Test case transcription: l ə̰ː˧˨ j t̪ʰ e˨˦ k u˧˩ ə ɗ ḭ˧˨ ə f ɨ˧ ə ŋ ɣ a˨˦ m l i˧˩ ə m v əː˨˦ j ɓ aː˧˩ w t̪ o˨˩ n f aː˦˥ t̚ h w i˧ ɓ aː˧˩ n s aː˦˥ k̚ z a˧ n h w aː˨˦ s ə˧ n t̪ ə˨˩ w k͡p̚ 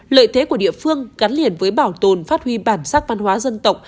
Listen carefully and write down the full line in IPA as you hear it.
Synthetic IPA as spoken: l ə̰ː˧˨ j t̪ʰ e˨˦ k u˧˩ ə ɗ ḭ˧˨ ə f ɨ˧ ə ŋ ɣ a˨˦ n l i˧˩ ə n v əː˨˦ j ɓ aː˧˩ w t̪ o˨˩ n f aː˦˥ t̚ h w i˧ ɓ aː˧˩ n s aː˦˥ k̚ v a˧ n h w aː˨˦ z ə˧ n t̪ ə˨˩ w k͡p̚

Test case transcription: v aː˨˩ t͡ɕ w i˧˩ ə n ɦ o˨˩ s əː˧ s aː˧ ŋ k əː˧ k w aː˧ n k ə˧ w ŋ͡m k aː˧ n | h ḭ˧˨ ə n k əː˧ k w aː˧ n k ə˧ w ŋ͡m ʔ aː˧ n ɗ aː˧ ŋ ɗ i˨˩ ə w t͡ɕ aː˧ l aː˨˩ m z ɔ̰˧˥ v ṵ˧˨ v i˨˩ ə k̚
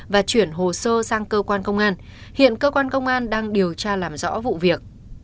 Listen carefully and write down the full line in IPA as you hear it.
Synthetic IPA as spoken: v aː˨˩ t͡ɕ w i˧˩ ə n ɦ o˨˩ s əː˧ s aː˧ ŋ k əː˧ k w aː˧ n k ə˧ w ŋ͡m ʔ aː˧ n | h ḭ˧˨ ə n k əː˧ k w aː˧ n k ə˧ w ŋ͡m ʔ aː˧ n ɗ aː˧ ŋ ɗ i˨˩ ə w t͡ɕ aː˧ l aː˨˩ m z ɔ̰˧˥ v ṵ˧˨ v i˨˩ ə k̚

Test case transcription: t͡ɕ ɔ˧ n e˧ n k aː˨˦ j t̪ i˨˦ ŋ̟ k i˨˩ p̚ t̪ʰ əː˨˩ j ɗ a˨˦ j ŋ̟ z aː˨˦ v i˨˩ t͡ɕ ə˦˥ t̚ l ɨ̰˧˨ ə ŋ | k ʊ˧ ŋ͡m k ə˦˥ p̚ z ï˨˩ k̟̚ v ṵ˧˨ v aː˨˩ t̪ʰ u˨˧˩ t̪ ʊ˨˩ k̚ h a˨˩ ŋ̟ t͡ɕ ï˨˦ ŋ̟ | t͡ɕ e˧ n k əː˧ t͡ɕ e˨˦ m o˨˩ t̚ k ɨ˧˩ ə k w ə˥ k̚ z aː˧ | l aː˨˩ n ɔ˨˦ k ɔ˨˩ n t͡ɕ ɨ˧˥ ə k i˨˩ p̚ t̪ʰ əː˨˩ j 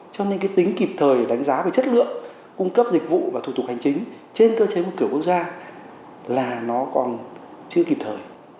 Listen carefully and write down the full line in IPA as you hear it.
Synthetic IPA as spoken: t͡ɕ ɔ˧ n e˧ n k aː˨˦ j t̪ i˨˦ ŋ̟ k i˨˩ p̚ t̪ʰ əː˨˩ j ɗ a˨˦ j ŋ̟ z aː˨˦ v e˨˩ t͡ɕ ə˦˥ t̚ l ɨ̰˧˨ ə ŋ | k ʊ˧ ŋ͡m k ə˦˥ p̚ z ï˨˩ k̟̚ v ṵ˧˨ v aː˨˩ t̪ʰ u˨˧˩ t̪ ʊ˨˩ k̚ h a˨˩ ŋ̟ t͡ɕ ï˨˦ ŋ̟ | t͡ɕ e˧ n k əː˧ t͡ɕ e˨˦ m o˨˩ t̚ k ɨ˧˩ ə k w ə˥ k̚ z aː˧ | l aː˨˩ n ɔ˨˦ k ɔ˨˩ n t͡ɕ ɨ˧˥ ə k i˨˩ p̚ t̪ʰ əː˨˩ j

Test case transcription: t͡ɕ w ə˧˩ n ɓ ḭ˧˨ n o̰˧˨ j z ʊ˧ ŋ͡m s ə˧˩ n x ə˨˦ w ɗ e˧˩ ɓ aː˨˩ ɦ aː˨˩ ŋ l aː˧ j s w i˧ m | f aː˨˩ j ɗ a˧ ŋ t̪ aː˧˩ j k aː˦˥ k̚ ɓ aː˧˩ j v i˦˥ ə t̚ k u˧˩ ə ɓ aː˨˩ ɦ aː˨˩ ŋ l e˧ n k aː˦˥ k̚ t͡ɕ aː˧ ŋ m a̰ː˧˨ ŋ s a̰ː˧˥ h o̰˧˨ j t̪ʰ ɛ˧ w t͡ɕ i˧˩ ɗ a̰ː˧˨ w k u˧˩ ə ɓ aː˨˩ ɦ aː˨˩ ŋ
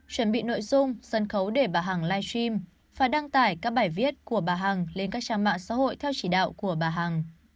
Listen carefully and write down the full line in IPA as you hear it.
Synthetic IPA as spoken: t͡ɕ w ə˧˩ n ɓ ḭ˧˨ n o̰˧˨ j z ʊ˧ ŋ͡m s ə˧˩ n x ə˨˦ w ɗ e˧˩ ɓ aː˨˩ ɦ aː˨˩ ŋ l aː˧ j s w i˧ m | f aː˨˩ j ɗ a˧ ŋ t̪ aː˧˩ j k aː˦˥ k̚ ɓ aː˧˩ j v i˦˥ ə t̚ k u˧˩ ə ɓ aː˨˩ ɦ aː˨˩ ŋ l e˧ n k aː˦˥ k̚ t͡ɕ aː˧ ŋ m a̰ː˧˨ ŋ s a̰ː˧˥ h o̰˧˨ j t̪ʰ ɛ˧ w t͡ɕ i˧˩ ɗ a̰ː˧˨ w k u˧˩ ə ɓ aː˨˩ ɦ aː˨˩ ŋ

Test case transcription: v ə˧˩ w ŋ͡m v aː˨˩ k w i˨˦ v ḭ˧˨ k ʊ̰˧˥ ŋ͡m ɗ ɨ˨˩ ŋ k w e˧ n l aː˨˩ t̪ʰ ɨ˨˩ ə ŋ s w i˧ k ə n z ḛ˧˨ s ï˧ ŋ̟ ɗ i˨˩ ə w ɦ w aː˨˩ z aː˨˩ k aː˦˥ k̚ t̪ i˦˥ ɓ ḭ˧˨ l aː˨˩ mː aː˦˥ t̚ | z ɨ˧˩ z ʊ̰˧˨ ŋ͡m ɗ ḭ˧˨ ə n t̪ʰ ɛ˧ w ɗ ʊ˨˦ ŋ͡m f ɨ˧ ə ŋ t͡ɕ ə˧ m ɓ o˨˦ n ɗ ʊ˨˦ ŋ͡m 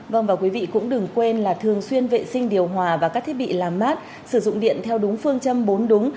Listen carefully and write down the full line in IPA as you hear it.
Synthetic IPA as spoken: v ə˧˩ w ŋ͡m v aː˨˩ k w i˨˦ v ḭ˧˨ k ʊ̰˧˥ ŋ͡m ɗ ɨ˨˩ ŋ k w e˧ n l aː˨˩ t̪ʰ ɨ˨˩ ə ŋ s w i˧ ə n v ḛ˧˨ s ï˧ ŋ̟ ɗ i˨˩ ə w ɦ w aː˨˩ v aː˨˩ k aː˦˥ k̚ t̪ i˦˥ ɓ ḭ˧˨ l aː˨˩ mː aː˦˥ t̚ | s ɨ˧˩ z ʊ̰˧˨ ŋ͡m ɗ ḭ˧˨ ə n t̪ʰ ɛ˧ w ɗ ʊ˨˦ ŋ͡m f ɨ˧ ə ŋ t͡ɕ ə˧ m ɓ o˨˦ n ɗ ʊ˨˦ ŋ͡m

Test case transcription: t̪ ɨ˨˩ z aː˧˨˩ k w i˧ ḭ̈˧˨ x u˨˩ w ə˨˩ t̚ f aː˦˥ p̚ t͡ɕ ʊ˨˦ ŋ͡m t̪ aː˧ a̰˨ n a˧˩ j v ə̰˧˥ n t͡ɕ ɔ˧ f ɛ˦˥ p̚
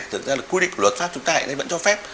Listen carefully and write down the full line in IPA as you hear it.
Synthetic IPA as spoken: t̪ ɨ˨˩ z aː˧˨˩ k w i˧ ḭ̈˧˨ k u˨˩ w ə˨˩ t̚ f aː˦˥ p̚ t͡ɕ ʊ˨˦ ŋ͡m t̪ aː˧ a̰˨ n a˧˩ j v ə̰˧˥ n t͡ɕ ɔ˧ f ɛ˦˥ p̚

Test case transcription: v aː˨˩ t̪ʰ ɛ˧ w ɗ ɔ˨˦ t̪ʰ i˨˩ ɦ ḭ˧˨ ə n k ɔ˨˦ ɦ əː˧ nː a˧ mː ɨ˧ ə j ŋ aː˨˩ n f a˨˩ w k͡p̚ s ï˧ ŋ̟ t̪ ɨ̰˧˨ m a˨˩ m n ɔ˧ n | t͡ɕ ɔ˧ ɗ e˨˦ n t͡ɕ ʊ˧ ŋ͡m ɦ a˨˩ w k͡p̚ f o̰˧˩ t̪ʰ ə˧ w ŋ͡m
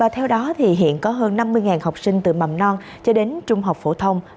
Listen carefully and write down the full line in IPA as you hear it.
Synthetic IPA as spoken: v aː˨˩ t̪ʰ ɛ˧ w ɗ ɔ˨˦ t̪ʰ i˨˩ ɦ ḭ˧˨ ə n k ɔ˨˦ ɦ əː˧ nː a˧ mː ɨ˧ ə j ŋ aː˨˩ n h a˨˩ w k͡p̚ s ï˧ ŋ̟ t̪ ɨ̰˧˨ m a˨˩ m n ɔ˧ n | t͡ɕ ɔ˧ ɗ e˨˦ n t͡ɕ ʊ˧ ŋ͡m ɦ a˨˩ w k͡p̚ f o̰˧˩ t̪ʰ ə˧ w ŋ͡m

